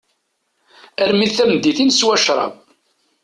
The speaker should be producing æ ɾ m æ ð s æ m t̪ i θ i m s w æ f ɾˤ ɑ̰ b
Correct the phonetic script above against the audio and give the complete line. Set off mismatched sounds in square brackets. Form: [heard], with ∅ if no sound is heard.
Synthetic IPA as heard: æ ɾ m [i] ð [θ] æ m [d̪] i θ i [n] s w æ [ʃ] ɾˤ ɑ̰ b